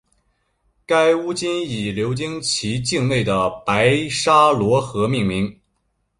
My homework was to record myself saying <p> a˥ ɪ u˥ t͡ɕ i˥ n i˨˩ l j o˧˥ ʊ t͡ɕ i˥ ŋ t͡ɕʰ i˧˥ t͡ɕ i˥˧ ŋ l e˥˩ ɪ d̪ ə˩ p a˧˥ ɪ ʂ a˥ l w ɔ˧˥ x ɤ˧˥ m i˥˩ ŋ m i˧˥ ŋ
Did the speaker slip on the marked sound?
yes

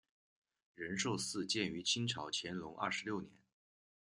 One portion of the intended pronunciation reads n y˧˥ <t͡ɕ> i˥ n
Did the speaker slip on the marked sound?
yes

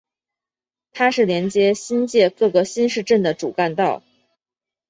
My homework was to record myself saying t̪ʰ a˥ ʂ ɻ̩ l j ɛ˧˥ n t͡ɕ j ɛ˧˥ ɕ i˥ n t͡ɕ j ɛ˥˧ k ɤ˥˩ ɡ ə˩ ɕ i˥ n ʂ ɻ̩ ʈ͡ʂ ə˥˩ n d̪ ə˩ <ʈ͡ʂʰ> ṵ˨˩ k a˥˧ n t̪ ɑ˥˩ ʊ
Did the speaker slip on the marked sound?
yes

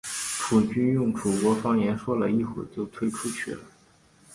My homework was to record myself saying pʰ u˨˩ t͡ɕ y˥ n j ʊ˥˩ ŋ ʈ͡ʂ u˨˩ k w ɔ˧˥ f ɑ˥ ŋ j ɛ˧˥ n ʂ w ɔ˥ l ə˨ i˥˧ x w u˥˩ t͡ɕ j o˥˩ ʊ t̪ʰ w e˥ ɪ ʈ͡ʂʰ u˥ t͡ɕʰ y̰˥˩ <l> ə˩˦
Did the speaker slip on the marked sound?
no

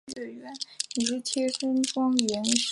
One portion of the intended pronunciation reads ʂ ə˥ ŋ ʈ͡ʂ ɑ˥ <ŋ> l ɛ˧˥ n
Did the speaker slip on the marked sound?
no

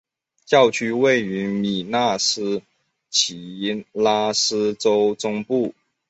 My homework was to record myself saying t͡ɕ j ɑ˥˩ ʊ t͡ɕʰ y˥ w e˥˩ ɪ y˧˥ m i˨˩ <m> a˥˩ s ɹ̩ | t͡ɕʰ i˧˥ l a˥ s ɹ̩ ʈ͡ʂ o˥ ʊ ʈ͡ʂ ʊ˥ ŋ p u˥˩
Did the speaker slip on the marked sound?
yes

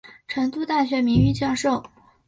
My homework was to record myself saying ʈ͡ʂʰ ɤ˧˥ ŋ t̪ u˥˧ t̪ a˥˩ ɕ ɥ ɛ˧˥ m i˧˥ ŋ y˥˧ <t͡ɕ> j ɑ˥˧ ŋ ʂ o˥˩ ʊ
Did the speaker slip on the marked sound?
no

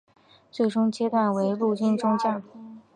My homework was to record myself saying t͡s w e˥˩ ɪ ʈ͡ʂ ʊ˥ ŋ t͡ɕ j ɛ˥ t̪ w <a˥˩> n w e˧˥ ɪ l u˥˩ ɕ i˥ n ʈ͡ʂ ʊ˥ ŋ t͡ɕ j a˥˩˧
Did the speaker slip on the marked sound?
no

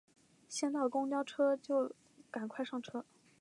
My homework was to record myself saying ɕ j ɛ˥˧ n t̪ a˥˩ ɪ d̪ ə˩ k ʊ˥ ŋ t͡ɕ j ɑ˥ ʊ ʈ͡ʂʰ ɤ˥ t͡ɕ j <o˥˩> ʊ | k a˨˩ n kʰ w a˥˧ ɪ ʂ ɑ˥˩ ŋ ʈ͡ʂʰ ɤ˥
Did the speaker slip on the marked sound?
no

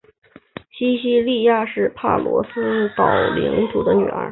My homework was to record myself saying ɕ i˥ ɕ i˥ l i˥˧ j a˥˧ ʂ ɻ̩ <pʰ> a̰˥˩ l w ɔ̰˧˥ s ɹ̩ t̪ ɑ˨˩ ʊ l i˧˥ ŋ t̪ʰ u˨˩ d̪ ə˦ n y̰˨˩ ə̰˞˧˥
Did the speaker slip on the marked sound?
no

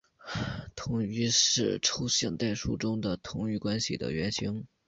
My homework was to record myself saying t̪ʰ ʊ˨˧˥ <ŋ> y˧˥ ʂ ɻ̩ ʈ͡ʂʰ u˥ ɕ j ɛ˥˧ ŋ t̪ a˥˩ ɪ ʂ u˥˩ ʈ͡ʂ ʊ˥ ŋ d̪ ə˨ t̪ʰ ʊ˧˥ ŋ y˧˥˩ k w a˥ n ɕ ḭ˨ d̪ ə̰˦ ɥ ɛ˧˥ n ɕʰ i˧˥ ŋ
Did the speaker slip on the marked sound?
no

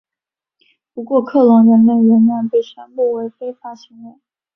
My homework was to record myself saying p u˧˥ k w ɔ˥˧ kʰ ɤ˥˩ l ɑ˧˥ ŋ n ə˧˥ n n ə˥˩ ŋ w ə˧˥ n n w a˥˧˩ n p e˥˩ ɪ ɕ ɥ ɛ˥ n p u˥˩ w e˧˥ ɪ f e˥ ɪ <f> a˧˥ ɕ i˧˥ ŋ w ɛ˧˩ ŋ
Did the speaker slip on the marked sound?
no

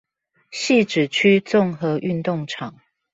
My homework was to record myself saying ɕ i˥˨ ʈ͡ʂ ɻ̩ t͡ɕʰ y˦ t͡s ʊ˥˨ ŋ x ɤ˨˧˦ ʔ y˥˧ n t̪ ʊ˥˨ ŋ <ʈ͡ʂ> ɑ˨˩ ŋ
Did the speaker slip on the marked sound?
yes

